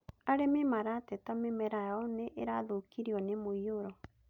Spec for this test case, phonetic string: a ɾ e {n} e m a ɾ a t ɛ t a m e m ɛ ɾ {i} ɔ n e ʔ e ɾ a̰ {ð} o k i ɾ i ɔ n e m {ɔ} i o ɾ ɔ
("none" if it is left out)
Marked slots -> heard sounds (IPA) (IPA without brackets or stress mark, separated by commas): m, a, ð, o